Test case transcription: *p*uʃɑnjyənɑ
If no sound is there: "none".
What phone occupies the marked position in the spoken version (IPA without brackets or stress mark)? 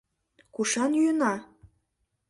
k